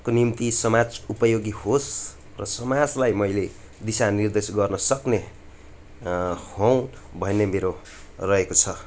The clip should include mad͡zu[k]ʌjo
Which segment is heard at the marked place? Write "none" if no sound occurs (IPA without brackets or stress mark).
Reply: p